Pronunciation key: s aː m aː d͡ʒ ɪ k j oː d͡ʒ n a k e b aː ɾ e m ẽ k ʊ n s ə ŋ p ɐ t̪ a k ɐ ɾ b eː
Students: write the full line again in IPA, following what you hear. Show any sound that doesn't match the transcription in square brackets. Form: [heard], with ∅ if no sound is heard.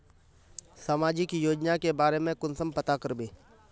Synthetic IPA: s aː m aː d͡ʒ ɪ k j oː d͡ʒ n a k e b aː ɾ e m ẽ k ʊ n s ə [m] p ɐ t̪ a k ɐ ɾ b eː